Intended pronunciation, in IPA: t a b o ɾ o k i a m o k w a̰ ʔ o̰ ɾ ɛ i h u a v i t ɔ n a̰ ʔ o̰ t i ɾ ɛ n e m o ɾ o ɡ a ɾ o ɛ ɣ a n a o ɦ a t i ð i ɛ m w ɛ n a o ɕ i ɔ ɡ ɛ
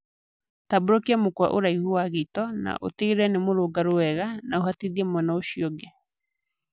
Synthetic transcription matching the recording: t a b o ɾ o k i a m o k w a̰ ʔ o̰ ɾ a i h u a ɣ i t ɔ n a̰ ʔ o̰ t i ɾ ɛ n e m o ɾ o ɡ a ɾ o ɛ ɣ a n a o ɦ a t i ð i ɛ m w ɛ n a o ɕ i ɔ ɡ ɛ